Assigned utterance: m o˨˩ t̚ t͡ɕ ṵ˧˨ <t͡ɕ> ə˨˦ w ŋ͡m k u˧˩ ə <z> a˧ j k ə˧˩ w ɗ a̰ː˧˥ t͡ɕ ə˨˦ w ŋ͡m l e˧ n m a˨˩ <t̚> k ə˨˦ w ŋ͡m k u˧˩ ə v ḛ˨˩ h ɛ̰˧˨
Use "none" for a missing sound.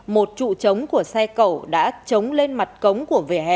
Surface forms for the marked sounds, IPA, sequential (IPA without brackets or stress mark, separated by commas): t͡ɕ, s, t̚